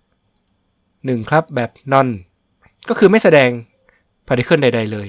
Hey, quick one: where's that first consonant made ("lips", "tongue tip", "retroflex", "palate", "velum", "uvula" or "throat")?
tongue tip